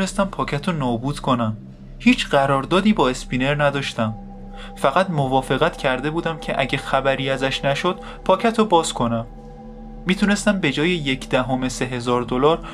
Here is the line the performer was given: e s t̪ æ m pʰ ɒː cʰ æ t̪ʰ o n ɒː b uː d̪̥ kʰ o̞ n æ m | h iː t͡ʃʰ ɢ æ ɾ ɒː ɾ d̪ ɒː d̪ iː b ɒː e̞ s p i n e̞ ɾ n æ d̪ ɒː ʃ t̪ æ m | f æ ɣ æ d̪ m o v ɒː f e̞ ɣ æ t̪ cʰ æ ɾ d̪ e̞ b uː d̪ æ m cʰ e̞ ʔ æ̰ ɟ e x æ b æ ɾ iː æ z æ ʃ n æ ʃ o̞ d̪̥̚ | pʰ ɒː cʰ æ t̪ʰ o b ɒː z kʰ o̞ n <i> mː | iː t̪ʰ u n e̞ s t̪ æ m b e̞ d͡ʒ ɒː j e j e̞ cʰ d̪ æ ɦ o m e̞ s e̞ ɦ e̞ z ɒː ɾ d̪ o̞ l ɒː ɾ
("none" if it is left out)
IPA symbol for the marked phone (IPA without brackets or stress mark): æ